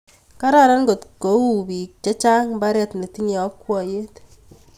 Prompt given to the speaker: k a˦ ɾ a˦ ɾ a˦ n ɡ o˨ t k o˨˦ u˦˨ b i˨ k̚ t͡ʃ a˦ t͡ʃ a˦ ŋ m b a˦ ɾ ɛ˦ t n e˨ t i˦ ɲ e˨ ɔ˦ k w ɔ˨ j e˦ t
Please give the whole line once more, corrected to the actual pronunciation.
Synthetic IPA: k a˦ ɾ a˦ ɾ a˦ n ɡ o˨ t k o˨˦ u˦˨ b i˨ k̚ t͡ʃ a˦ t͡ʃ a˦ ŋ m b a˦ ɾ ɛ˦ t n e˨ t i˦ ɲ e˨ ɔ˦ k w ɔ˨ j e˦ t